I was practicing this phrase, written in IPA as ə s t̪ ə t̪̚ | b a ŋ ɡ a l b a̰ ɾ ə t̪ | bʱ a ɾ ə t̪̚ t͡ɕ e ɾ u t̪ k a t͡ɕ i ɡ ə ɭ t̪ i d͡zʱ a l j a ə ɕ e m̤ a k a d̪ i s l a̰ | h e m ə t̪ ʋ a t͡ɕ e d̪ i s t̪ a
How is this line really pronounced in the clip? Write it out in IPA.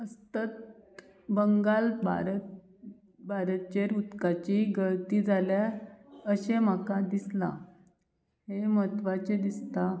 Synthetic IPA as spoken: ə s t̪ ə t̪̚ | b ə ŋ ɡ a l b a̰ ɾ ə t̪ | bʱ a ɾ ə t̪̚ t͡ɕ e ɾ u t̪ k a t͡ɕ i ɡ ə ɭ t̪ i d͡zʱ a l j a ə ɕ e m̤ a k a d̪ i s l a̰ | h e m ə t̪ ʋ a t͡ɕ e d̪ i s t̪ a